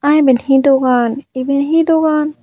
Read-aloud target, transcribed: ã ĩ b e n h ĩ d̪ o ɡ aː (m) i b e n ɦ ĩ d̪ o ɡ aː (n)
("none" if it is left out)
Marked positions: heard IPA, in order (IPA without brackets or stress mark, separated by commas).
n, n